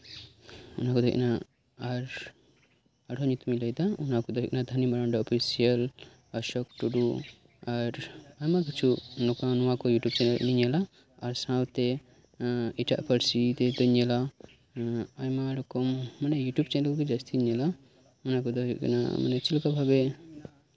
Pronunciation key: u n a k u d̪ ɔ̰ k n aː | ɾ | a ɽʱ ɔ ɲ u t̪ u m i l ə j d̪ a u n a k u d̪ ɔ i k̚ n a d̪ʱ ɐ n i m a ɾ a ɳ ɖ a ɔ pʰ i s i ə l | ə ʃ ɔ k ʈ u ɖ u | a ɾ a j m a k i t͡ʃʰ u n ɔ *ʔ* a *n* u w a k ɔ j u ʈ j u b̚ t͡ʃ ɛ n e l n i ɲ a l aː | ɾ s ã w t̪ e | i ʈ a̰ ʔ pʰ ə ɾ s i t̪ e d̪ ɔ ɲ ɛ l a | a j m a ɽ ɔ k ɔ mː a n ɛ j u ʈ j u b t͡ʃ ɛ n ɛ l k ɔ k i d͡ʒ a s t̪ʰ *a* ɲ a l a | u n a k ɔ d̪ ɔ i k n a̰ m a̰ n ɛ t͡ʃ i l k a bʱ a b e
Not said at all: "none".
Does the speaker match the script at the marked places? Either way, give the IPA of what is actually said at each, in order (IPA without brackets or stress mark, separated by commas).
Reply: k, n, i